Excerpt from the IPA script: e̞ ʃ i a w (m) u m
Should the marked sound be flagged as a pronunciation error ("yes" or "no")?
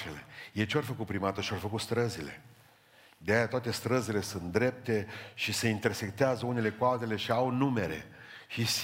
yes